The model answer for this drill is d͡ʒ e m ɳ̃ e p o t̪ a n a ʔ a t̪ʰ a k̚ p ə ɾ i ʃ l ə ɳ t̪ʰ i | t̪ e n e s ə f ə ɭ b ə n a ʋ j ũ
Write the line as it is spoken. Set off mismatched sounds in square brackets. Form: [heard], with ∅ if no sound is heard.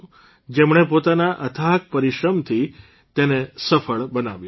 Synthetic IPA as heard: d͡ʒ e m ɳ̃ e p o t̪ a n a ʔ [ə] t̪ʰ a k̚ p ə ɾ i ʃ [ɾ] ə [m] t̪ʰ i | t̪ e n e s ə f ə ɭ b ə n a ʋ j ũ